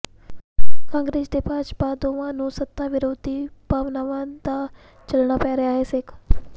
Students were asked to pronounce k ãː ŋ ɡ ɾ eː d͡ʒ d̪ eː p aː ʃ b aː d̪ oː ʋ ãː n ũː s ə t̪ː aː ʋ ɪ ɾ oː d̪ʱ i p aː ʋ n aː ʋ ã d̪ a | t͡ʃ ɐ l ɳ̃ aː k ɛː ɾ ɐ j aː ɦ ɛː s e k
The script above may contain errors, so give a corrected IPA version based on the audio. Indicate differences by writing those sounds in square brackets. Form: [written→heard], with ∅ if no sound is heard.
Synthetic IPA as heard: k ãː ŋ ɡ ɾ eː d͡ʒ d̪ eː p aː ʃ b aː d̪ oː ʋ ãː n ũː s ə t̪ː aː ʋ ɪ ɾ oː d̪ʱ i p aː ʋ n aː ʋ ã d̪ a | t͡ʃ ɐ l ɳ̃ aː [k→p] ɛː ɾ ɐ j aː ɦ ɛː s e k